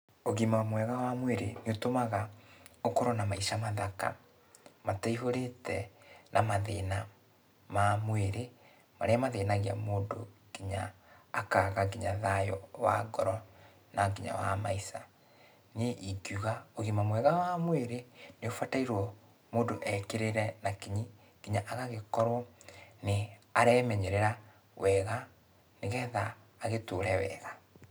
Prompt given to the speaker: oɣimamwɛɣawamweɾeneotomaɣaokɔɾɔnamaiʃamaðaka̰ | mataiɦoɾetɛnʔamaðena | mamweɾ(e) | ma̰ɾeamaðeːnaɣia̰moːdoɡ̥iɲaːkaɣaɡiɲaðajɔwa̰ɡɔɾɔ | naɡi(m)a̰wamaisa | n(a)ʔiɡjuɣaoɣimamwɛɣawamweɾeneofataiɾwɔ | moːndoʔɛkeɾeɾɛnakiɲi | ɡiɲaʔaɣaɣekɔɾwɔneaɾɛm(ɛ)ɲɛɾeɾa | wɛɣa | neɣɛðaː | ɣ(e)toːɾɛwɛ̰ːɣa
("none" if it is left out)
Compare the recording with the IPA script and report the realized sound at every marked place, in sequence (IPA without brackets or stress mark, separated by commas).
e, ɲ, e, ɛ, e